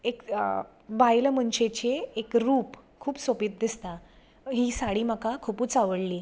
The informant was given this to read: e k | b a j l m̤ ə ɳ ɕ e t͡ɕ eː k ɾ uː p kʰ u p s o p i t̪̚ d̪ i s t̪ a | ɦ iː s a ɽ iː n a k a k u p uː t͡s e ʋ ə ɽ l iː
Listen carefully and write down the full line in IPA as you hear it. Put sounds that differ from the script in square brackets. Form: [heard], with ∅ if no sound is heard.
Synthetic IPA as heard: e k | b a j l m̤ ə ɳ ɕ e t͡ɕ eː k ɾ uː p kʰ [uː] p s o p i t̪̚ d̪ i s t̪ a | ɦ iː s a ɽ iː [m] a k a [kʰ] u p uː t͡s [a] ʋ ə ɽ l iː